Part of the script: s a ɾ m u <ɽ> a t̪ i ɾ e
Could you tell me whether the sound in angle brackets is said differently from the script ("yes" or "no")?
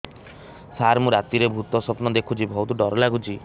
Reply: yes